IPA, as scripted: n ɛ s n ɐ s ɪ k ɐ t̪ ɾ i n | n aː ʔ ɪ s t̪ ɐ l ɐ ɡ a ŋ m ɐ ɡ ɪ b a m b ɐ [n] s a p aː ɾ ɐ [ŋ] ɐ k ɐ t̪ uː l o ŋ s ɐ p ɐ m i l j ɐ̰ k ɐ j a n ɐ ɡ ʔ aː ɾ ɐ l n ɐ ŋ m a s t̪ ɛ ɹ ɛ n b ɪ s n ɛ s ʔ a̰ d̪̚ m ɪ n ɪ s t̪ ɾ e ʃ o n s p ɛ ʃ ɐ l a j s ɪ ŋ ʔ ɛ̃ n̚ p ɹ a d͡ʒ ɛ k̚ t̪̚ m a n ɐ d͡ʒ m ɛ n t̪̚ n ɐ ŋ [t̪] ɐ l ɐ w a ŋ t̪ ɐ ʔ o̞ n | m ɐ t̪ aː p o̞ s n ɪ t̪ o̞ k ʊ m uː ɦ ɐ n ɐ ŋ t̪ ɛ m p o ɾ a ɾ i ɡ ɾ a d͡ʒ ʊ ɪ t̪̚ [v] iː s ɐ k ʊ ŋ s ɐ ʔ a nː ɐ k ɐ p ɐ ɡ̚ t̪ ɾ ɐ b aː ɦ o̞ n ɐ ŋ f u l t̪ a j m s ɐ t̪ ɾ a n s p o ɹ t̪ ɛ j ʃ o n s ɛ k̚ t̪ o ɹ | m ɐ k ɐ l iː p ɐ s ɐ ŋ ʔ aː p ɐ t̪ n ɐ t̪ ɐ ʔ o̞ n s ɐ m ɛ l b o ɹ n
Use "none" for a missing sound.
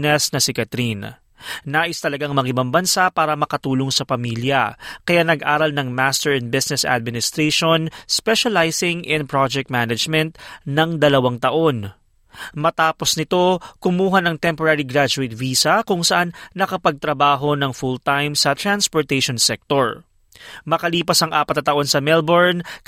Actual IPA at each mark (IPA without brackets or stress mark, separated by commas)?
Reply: n, m, d̪, v